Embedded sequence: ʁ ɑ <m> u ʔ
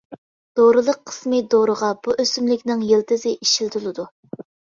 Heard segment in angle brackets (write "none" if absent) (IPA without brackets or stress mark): b